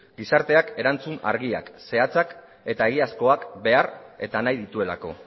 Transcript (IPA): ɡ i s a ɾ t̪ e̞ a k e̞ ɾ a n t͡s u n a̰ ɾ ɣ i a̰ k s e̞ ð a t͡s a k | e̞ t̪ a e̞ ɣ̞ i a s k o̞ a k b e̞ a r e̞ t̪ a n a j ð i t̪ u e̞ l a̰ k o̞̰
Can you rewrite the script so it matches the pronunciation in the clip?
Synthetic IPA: ɡ i s a ɾ t̪ e̞ a k e̞ ɾ a n t͡s u n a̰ ɾ ɣ i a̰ k s e̞ a t͡s a k | e̞ t̪ a e̞ ɣ̞ i a s k o̞ a k b e̞ a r e̞ t̪ a n a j ð i t̪ u e̞ l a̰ k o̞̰